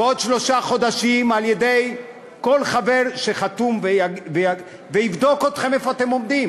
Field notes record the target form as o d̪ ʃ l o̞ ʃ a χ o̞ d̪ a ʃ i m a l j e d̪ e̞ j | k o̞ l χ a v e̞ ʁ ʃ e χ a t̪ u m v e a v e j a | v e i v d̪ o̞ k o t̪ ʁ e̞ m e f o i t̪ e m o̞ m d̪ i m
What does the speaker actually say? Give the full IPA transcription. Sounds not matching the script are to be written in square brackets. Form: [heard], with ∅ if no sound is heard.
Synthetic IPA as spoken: o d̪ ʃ l o̞ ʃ a χ o̞ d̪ a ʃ i m a l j e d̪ e̞ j | k o̞ l χ a v e̞ ʁ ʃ e χ a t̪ u m v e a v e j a | v e i v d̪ o̞ k o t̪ [χ] e̞ m e f o [a] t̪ e m o̞ m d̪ i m